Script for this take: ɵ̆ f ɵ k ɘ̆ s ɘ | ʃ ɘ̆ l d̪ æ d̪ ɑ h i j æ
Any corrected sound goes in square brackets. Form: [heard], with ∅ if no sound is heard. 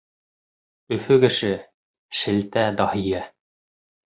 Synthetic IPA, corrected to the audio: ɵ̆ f ɵ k ɘ̆ [ʃ] ɘ | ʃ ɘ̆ l [t̪] æ d̪ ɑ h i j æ